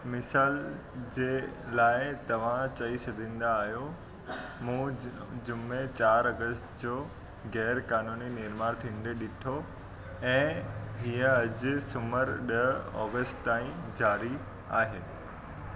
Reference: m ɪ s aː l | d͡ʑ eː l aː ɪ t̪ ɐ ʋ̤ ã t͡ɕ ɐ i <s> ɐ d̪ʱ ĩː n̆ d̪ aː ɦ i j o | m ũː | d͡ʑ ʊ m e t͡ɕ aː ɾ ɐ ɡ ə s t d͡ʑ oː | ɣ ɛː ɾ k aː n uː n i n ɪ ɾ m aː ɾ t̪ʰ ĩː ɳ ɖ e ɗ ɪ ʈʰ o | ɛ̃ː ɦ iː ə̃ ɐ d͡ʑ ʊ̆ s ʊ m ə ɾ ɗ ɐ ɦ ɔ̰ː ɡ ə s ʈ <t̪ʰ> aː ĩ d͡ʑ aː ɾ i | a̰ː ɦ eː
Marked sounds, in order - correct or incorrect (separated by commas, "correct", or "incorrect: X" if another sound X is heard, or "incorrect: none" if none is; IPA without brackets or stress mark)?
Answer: correct, incorrect: t̪